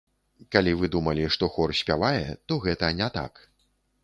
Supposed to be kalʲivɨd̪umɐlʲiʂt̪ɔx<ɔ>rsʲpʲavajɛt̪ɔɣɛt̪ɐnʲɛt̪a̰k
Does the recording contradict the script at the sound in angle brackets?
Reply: no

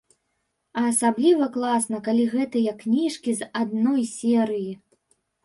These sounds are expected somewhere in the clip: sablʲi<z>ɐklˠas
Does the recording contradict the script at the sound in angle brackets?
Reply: yes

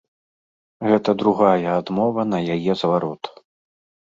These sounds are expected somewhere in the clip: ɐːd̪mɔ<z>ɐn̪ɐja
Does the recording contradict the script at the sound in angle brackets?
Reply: yes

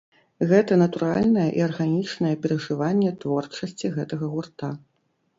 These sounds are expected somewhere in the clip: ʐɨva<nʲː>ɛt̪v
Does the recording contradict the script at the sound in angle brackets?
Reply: no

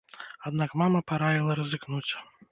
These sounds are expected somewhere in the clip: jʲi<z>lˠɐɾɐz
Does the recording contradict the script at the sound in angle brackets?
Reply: yes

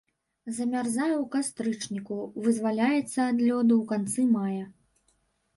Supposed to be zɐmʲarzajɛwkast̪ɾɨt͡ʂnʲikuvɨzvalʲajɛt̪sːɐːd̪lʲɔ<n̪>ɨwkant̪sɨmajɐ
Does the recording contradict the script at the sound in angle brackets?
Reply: yes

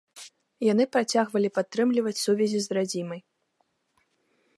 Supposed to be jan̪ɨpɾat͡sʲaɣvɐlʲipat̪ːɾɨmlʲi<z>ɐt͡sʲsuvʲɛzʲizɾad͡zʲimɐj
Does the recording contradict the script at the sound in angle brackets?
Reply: yes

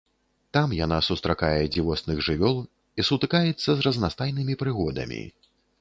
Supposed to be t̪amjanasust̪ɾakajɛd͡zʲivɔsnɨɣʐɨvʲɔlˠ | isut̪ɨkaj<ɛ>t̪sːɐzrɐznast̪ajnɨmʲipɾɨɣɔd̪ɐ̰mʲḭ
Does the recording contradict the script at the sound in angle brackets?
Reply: no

